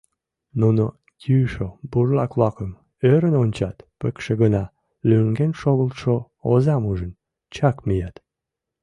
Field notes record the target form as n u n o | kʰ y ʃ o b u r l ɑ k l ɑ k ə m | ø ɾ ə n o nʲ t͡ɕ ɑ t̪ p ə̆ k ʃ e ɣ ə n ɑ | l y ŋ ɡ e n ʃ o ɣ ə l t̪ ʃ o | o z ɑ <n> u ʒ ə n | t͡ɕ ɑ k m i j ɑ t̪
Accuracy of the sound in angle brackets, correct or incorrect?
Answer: incorrect